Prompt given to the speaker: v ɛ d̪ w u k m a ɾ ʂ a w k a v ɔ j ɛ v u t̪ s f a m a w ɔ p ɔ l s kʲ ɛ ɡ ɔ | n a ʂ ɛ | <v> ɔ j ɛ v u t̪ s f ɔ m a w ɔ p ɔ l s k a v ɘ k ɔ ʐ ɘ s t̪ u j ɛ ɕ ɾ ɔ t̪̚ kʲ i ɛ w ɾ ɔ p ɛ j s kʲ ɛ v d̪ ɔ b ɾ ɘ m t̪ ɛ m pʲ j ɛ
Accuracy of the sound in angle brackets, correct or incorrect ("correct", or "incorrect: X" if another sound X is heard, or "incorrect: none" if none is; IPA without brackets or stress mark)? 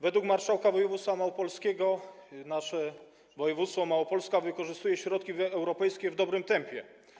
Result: correct